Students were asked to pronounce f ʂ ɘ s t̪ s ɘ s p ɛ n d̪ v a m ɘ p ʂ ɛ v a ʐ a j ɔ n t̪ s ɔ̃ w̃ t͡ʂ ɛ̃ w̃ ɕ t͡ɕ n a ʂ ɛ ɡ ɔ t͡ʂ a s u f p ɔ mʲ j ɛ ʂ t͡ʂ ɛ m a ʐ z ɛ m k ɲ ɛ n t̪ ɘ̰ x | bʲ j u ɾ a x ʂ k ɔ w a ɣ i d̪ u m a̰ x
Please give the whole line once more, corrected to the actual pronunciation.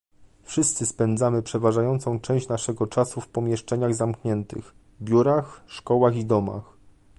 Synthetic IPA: f ʂ ɘ s t̪ s ɘ s p ɛ n d̪ z a m ɘ p ʂ ɛ v a ʐ a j ɔ n t̪ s ɔ̃ w̃ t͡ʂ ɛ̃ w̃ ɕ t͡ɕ n a ʂ ɛ ɡ ɔ t͡ʂ a s u f p ɔ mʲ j ɛ ʂ t͡ʂ ɛ ɲ a ɣ z a m k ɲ ɛ n t̪ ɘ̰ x | bʲ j u ɾ a x ʂ k ɔ w a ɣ i d̪ ɔ m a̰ x